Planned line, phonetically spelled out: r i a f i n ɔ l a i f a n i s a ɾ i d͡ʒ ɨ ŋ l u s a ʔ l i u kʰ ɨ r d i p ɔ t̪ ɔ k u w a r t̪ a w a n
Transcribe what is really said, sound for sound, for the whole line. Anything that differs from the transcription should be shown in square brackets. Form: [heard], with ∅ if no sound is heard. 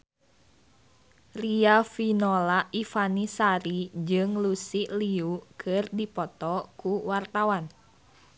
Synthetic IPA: r i a f i n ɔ l a i f a n i s a ɾ i d͡ʒ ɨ ŋ l u s [i] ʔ l i u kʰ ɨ r d i p ɔ t̪ ɔ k u w a r t̪ a w a n